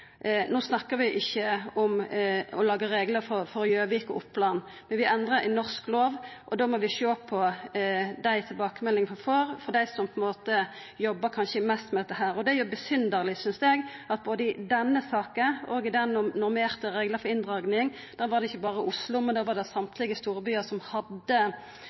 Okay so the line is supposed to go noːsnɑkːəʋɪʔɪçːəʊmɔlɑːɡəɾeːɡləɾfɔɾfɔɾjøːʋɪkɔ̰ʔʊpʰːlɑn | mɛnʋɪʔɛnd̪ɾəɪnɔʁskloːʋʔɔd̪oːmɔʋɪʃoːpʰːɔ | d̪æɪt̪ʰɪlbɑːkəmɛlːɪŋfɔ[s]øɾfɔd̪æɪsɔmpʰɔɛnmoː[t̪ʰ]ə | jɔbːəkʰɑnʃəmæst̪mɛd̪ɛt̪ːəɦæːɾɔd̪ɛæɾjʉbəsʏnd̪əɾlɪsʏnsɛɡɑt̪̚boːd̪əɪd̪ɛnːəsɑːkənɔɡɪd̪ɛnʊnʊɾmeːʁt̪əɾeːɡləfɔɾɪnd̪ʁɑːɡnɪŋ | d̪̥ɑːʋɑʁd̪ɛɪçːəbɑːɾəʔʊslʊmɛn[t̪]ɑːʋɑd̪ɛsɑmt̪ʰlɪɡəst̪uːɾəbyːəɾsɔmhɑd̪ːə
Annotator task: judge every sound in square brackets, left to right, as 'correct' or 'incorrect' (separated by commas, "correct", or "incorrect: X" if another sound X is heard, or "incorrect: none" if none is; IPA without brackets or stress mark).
incorrect: f, incorrect: t̪, incorrect: d̪